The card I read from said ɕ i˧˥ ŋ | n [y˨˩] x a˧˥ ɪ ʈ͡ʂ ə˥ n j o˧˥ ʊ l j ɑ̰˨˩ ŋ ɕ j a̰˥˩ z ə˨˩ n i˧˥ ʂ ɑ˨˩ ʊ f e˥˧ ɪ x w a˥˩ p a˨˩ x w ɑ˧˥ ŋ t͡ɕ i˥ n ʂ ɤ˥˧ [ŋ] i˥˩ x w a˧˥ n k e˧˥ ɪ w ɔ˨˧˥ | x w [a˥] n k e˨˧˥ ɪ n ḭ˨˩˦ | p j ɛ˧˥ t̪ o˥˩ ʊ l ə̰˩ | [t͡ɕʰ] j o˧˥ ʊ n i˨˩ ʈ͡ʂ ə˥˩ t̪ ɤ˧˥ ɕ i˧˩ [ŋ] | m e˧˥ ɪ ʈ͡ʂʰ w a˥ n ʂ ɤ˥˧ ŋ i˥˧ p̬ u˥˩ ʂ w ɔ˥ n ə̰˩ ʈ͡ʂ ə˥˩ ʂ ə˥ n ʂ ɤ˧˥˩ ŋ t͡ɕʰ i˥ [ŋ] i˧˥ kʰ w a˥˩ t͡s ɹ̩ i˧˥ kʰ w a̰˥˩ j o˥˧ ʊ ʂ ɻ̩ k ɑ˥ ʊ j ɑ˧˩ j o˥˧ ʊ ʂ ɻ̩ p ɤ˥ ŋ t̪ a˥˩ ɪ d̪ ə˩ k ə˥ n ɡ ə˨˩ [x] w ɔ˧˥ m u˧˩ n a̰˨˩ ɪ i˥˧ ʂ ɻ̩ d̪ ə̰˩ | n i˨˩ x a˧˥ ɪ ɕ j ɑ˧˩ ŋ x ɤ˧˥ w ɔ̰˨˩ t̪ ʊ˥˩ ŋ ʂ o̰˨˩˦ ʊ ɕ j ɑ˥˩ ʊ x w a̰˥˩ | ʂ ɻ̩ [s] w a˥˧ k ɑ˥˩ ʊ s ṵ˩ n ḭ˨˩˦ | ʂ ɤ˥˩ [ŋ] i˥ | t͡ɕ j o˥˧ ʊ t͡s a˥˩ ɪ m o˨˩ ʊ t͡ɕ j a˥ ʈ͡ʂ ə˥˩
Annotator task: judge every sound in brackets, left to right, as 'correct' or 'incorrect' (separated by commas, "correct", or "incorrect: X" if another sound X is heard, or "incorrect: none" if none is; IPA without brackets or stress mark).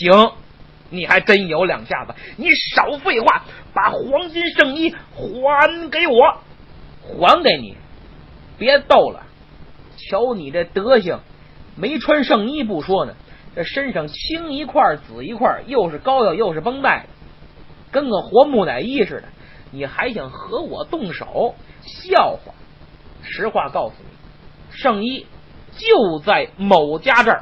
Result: incorrect: i˨˩, correct, incorrect: a˧˥, correct, correct, correct, correct, incorrect: x, correct